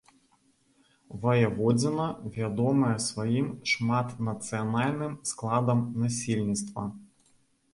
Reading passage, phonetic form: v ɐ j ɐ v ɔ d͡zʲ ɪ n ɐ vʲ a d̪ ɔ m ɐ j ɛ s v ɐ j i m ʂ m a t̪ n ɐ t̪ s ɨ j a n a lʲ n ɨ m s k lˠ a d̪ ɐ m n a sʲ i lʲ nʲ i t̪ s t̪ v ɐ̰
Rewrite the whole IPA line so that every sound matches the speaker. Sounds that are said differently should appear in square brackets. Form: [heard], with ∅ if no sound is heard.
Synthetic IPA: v ɐ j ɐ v ɔ d͡zʲ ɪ n ɐ vʲ a d̪ ɔ m ɐ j ɛ s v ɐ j i m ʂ m a t̪ n ɐ t̪ s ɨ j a n a lʲ n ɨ m s k lˠ a d̪ ɐ m n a sʲ i lʲ nʲ i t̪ s t̪ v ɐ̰